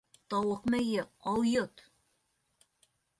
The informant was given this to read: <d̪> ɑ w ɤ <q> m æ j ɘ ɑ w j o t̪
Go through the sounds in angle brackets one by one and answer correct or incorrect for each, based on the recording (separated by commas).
incorrect, correct